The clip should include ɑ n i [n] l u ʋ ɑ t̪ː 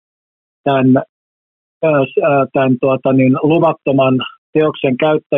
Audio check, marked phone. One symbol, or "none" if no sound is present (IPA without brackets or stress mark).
n